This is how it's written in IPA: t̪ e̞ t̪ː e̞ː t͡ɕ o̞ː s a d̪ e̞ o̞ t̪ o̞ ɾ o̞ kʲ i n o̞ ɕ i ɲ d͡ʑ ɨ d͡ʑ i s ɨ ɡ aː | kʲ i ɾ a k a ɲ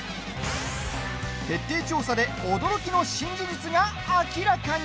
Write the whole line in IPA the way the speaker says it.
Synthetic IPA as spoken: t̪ e̞ t̪ː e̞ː t͡ɕ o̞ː s a d̪ e̞ o̞ d̪ o̞ ɾ o̞ kʲ i n o̞ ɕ ĩ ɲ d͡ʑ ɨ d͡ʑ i t͡s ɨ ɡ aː | kʲ i ɾ a k a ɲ